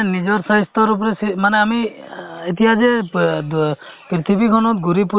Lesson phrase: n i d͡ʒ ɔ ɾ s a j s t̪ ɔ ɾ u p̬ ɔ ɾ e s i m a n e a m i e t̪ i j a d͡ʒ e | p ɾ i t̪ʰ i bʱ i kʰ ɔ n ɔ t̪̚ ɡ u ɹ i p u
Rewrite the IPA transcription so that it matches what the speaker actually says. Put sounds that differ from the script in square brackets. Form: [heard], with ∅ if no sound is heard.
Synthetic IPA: n i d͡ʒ ɔ ɾ s a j s t̪ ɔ ɾ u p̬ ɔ ɾ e s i m a n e a m i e t̪ i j a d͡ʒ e | p ɾ i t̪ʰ i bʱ i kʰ ɔ n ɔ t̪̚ ɡ u [ɾ] i p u